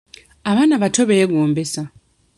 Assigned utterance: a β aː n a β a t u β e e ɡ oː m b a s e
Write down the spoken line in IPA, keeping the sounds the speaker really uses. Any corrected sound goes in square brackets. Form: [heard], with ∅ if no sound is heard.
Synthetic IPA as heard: a β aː n a β a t [o] β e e ɡ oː m b [e] s [a]